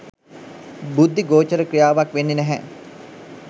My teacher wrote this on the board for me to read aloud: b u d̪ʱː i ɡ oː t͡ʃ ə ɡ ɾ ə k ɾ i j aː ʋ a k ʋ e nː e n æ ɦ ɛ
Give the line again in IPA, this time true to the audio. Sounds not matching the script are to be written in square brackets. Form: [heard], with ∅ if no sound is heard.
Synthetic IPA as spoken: b u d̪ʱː i ɡ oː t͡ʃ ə [∅] ɾ ə k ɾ i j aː ʋ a k ʋ e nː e n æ ɦ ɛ